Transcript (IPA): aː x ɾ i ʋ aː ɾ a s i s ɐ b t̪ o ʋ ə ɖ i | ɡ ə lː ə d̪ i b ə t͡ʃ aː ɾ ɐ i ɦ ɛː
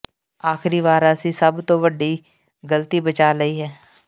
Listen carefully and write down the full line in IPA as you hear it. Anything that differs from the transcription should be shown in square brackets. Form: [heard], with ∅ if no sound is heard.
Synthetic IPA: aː x ɾ i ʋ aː ɾ a s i s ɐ b t̪ o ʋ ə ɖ i | ɡ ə [l] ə [t̪] i b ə t͡ʃ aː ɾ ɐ i ɦ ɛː